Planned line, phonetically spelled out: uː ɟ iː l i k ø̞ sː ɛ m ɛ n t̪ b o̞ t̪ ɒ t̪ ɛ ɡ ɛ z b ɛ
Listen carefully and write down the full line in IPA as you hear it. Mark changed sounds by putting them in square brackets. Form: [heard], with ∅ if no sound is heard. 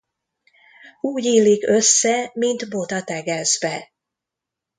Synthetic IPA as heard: uː ɟ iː l i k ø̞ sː ɛ m [i] n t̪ b o̞ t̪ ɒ t̪ ɛ ɡ ɛ z b ɛ